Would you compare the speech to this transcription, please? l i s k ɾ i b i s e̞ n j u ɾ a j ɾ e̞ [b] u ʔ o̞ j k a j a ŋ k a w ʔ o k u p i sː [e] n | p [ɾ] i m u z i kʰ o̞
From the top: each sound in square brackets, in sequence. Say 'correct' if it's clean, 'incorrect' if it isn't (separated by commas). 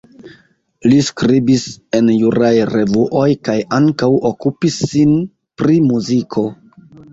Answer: incorrect, incorrect, correct